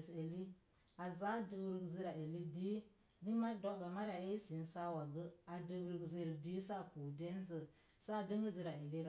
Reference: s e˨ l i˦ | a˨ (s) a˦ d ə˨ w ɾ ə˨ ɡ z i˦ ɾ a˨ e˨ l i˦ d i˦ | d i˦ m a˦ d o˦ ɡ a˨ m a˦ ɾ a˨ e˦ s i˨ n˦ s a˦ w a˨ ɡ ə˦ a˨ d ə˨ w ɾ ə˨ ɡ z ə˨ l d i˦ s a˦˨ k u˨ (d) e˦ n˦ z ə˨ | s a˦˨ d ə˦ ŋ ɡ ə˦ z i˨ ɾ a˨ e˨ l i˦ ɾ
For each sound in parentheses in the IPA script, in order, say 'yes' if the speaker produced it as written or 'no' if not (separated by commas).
no, yes